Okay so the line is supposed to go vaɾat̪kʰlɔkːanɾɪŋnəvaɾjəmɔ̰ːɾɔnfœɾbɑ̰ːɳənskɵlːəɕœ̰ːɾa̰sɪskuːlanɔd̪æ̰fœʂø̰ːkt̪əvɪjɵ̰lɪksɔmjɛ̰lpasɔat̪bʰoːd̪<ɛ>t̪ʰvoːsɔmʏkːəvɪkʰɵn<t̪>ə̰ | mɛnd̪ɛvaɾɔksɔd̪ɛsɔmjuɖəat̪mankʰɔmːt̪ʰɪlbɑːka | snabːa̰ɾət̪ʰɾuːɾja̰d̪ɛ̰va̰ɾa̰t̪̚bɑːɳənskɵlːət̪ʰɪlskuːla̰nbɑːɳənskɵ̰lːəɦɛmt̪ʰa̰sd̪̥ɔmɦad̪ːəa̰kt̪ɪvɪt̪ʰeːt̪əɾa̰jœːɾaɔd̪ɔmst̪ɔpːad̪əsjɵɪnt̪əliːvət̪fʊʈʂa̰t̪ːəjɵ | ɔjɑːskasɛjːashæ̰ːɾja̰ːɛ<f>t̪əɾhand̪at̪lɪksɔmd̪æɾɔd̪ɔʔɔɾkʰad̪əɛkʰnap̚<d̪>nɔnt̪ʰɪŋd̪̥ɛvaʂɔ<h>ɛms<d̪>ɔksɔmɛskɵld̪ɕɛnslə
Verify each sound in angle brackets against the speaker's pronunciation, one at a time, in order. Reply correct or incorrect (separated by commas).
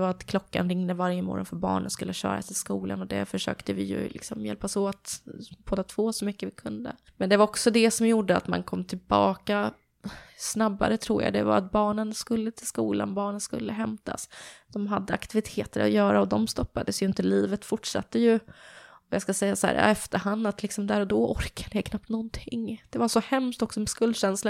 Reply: incorrect, incorrect, correct, incorrect, correct, incorrect